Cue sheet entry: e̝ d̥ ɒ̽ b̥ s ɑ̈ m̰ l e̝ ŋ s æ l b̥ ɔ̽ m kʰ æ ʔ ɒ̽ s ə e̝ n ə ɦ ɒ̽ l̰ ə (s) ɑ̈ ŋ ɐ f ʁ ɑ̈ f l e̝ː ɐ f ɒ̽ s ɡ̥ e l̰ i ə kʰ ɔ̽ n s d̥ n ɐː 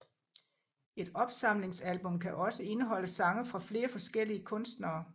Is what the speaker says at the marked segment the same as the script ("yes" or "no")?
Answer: yes